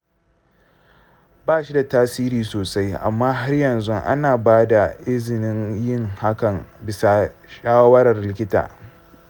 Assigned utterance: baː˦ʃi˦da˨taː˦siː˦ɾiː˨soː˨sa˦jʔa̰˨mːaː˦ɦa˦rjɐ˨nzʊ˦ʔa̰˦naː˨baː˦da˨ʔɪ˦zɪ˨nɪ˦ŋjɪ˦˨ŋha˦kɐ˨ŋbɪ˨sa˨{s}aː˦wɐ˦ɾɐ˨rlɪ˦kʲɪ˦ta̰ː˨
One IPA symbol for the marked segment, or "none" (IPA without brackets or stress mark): ʃ